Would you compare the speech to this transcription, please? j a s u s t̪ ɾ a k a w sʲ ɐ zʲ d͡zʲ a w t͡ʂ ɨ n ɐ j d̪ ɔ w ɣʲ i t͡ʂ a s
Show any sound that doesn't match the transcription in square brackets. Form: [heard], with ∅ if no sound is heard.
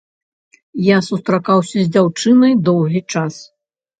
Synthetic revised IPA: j a s u s t̪ ɾ a k a w sʲ ɐ zʲ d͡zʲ a w t͡ʂ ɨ n ɐ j d̪ ɔ w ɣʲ i t͡ʂ a s

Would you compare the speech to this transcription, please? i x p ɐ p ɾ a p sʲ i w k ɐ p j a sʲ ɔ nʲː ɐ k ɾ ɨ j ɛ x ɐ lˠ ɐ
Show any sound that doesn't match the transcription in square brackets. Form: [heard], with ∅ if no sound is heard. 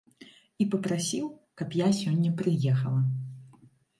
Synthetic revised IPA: i [∅] p ɐ p ɾ a [∅] sʲ i w k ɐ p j a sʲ ɔ nʲː ɐ [p] ɾ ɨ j ɛ x ɐ lˠ ɐ

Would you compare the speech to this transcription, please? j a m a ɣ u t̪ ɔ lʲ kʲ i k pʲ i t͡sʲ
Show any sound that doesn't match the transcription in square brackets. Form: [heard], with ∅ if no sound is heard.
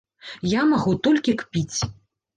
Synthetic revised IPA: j a m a ɣ u t̪ ɔ lʲ kʲ i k pʲ i t͡sʲ

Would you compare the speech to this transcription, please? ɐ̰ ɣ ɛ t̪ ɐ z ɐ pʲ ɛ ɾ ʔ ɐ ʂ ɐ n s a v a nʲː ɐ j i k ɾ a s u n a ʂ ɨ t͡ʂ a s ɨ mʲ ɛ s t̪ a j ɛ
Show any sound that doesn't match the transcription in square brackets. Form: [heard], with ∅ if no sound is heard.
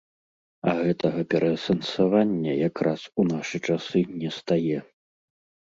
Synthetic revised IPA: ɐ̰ ɣ ɛ t̪ ɐ [ɣ] ɐ pʲ ɛ ɾ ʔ ɐ [s] ɐ n s a v a nʲː ɐ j [a] k ɾ a s u n a ʂ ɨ t͡ʂ a s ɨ [nʲ] ɛ s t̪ a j ɛ

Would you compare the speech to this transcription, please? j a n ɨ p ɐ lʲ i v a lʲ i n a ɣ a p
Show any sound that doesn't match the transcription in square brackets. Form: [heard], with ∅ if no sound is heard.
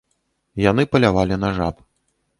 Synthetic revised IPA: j a n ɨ p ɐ lʲ [a] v a lʲ i n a [ʐ] a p

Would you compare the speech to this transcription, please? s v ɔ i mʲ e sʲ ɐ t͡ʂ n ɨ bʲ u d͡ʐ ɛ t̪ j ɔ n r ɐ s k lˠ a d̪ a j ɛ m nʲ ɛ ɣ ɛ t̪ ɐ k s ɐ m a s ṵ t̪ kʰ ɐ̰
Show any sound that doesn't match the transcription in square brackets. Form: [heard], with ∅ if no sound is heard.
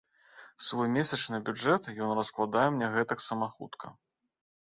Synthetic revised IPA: s v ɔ [j] mʲ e sʲ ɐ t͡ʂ n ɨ bʲ u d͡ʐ ɛ t̪ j ɔ n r ɐ s k lˠ a d̪ a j ɛ m nʲ ɛ ɣ ɛ t̪ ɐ k s ɐ m a [x] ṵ t̪ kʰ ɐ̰

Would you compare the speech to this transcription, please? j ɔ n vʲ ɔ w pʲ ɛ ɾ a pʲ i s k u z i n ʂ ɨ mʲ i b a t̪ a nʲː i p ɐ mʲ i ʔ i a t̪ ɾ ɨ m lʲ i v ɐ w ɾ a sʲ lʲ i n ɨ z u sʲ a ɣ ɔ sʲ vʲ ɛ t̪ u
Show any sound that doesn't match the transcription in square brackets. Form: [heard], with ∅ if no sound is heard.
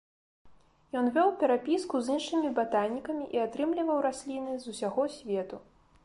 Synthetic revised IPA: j ɔ n vʲ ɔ w pʲ ɛ ɾ a pʲ i s k u z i n ʂ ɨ mʲ i b a t̪ a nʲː i [k] ɐ mʲ i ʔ i a t̪ ɾ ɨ m lʲ i v ɐ w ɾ a sʲ lʲ i n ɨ z u sʲ a ɣ ɔ sʲ vʲ ɛ t̪ u

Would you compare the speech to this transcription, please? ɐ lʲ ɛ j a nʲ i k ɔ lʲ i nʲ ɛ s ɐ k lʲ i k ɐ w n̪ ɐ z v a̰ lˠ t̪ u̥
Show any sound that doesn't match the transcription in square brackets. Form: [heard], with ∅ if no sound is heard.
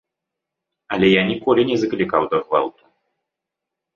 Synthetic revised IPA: ɐ lʲ ɛ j a nʲ i k ɔ lʲ i nʲ ɛ [z] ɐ k lʲ i k [a] w [d̪] ɐ [ɣ] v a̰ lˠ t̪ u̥

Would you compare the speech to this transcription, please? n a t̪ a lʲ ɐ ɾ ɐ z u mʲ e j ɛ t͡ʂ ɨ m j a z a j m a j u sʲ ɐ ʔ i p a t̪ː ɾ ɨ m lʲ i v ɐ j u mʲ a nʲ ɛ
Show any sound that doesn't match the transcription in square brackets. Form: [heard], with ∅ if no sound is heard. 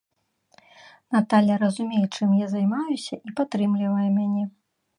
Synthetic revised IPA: n a t̪ a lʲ ɐ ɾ ɐ z u mʲ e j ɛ t͡ʂ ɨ m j a z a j m a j u sʲ ɐ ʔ i p a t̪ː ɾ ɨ m lʲ i v ɐ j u mʲ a nʲ ɛ

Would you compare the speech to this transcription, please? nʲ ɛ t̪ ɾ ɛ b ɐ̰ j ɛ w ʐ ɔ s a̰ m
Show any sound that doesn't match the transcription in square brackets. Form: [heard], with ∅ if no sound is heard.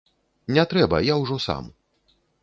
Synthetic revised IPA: nʲ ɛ t̪ ɾ ɛ b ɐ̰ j [a] w ʐ ɔ s a̰ m

